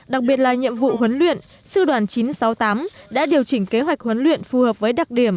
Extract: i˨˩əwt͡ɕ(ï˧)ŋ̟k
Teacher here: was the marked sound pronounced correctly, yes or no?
no